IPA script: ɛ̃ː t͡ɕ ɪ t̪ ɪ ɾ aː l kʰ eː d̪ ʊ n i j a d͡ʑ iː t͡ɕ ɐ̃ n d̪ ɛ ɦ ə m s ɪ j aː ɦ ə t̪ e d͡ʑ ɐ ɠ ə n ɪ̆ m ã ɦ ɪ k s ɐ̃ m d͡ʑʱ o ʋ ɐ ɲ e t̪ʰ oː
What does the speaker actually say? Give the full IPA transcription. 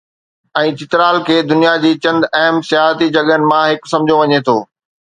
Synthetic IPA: ɛ̃ː t͡ɕ ɪ t̪ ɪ ɾ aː l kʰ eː d̪ ʊ n i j a d͡ʑ iː t͡ɕ ɐ̃ n d̪ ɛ ɦ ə m s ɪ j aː ɦ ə t̪ i d͡ʑ ɐ ɠ ə n ɪ̆ m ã ɦ ɪ k s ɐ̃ m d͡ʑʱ o ʋ ɐ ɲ e t̪ʰ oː